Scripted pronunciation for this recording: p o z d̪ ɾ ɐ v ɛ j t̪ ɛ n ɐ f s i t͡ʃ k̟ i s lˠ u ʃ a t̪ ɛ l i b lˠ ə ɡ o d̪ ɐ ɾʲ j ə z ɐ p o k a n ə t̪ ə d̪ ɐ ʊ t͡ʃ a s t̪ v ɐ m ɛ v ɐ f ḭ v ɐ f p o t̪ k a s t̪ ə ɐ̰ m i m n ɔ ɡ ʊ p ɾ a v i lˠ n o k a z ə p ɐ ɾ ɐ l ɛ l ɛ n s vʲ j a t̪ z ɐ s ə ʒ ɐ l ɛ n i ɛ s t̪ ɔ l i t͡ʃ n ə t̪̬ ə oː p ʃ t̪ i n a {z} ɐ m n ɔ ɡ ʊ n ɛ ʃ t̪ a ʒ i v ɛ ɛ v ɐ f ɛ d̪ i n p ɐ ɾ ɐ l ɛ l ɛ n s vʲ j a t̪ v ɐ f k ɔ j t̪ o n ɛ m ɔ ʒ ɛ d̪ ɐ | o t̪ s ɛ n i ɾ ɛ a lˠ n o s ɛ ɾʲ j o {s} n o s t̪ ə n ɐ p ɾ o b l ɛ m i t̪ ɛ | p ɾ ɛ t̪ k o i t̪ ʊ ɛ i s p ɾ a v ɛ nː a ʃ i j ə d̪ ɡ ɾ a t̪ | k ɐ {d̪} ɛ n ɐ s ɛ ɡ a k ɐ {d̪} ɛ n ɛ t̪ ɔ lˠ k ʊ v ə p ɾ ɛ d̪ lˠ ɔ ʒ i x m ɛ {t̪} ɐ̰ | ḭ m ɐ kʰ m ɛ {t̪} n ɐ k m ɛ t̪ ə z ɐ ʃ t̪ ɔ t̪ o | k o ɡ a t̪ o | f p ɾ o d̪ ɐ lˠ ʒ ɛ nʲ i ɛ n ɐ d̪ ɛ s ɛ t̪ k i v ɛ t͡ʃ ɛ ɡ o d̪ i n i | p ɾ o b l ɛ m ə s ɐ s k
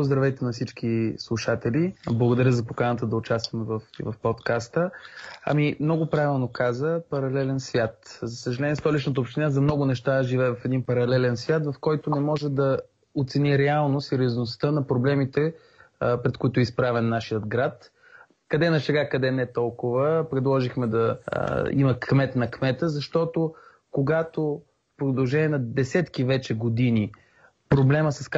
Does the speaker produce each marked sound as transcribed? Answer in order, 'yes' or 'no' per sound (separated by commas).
yes, no, yes, yes, no, yes